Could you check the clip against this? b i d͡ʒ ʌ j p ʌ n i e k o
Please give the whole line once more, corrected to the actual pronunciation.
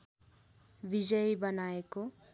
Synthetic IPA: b i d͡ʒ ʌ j b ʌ n a e k o